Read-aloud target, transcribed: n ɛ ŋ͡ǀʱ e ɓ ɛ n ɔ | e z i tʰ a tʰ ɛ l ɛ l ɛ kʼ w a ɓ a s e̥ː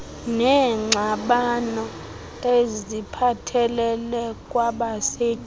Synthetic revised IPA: n ɛ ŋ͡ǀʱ a ɓ a n ɔ | e z i pʰ a tʰ ɛ l ɛ l ɛ kʼ w a ɓ a s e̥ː